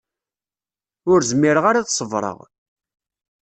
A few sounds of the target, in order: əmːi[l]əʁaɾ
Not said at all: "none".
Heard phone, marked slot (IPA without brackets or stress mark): ɾ